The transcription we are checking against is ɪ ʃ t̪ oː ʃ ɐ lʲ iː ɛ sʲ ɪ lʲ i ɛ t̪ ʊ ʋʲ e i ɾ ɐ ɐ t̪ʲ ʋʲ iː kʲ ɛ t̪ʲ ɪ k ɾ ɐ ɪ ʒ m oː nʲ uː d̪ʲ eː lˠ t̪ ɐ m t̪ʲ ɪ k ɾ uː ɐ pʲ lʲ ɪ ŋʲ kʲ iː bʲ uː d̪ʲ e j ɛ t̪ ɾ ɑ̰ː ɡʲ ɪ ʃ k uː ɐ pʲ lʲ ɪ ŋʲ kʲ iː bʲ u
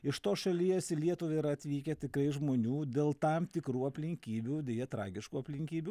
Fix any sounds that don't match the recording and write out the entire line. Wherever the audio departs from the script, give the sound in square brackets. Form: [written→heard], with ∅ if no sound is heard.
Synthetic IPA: ɪ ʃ t̪ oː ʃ ɐ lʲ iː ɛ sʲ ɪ lʲ i ɛ t̪ ʊ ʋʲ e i ɾ ɐ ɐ t̪ʲ ʋʲ iː kʲ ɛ t̪ʲ ɪ k ɾ ɐ ɪ ʒ m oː nʲ uː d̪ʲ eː lˠ t̪ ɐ m t̪ʲ ɪ k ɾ uː ɐ pʲ lʲ ɪ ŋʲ kʲ iː bʲ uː d̪ʲ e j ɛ t̪ ɾ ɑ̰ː ɡʲ ɪ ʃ k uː ɐ pʲ lʲ ɪ ŋʲ kʲ iː bʲ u